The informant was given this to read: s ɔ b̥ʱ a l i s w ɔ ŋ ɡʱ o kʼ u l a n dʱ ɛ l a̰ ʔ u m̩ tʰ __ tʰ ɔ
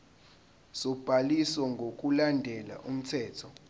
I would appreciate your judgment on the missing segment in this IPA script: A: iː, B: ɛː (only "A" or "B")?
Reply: B